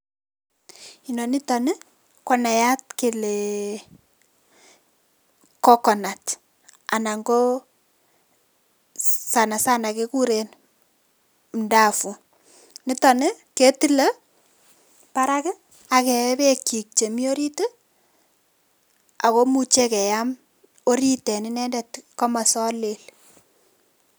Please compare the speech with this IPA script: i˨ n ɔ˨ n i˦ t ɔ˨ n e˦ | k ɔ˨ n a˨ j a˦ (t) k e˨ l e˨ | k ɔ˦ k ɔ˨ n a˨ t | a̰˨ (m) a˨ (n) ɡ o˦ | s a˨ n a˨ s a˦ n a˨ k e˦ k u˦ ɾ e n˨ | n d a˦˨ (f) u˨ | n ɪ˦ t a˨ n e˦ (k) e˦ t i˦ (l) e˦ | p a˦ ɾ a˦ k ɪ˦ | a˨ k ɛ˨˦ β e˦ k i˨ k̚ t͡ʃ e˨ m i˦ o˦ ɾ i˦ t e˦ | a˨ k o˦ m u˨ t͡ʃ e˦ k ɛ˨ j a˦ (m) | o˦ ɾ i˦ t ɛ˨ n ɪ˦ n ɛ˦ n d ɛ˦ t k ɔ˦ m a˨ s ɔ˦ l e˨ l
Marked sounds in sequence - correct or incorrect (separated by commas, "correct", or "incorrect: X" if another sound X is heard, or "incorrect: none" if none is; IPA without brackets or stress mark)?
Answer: correct, incorrect: n, incorrect: ŋ, correct, correct, correct, correct